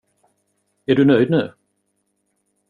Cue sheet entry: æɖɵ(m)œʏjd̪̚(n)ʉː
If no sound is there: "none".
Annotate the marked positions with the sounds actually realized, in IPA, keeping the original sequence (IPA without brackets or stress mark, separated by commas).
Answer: n, n